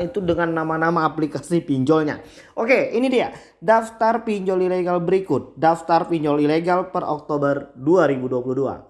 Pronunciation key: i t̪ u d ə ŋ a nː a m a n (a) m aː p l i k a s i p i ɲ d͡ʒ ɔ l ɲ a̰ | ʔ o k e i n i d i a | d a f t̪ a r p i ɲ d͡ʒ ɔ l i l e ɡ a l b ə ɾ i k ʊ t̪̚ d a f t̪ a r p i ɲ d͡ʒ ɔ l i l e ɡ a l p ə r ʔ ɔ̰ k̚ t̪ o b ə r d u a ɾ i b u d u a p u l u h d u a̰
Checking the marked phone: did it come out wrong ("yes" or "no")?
no